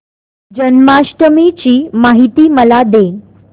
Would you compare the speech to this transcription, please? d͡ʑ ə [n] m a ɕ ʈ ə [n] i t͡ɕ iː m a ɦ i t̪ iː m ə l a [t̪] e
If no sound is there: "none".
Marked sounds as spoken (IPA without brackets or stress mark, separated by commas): n, m, d̪